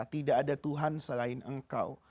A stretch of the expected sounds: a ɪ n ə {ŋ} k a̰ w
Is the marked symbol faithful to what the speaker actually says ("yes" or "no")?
yes